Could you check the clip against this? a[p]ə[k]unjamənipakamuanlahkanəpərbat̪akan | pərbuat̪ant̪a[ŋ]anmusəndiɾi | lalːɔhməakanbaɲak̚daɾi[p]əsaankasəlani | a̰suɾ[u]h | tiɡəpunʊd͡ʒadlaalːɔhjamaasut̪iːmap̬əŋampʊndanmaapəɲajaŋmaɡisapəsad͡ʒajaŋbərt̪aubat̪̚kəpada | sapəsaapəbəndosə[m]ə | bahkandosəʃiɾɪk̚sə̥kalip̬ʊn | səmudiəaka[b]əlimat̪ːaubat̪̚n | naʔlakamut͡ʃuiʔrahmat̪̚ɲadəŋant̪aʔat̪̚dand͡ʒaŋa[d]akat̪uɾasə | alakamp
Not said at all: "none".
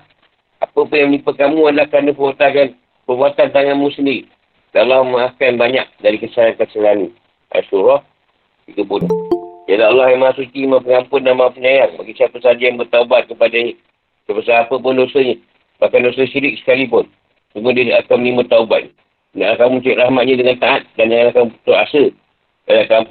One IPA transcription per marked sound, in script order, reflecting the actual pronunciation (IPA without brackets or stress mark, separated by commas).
p, p, ŋ, k, ɔ, ɲ, m, n